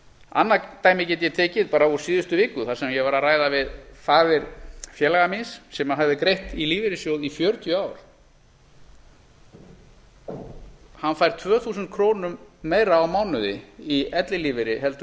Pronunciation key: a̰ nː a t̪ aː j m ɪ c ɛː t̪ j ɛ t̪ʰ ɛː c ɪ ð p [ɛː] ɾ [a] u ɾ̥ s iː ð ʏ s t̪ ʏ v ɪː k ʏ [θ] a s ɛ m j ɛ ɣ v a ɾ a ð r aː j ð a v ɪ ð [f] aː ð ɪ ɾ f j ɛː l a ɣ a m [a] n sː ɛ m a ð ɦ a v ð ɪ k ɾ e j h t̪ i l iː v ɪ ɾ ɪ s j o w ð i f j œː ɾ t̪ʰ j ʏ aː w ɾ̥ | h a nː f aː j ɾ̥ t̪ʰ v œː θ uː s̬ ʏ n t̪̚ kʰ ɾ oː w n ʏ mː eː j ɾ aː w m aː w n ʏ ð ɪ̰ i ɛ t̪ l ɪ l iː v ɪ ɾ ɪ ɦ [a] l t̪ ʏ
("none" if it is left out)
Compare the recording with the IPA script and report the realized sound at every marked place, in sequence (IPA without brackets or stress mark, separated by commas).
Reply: aː, a, θ, f, i, ɛ